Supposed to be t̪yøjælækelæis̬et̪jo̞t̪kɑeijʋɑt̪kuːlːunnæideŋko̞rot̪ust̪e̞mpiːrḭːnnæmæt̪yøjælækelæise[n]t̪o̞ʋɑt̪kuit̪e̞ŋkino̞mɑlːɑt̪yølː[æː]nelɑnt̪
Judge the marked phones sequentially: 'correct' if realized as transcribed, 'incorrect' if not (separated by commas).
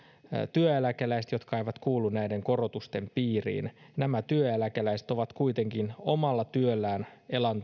incorrect, correct